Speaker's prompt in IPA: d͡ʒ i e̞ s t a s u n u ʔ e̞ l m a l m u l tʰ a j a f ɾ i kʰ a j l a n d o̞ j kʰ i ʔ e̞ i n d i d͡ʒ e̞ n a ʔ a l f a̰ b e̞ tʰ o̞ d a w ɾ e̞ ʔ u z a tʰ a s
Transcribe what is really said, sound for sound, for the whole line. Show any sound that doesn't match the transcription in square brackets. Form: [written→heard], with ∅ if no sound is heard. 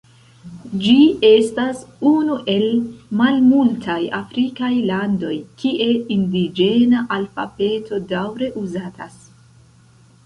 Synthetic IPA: d͡ʒ i e̞ s t a s u n u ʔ e̞ l m a l m u l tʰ a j a f ɾ i [kʰ→k] a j l a n d o̞ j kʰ i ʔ e̞ i n d i d͡ʒ e̞ n a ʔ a l f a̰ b e̞ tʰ o̞ d a w ɾ e̞ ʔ u z a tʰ a s